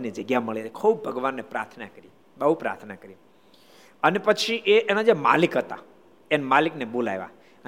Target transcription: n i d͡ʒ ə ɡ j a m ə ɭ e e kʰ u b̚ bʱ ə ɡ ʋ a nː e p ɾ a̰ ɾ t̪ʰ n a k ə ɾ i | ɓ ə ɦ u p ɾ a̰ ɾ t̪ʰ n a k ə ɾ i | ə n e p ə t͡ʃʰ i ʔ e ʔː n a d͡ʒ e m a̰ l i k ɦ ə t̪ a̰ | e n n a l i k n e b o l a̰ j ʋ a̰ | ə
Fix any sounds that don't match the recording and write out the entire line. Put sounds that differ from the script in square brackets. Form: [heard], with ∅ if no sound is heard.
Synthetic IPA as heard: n i d͡ʒ ə ɡ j a m ə ɭ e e kʰ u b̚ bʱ ə ɡ ʋ a nː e p ɾ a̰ ɾ t̪ʰ n a k ə ɾ i | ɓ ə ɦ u p ɾ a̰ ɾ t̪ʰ n a k ə ɾ i | ə n e p ə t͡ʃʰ i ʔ e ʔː n a d͡ʒ e m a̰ l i k ɦ ə t̪ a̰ | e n [m] a l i k n e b o l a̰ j ʋ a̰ | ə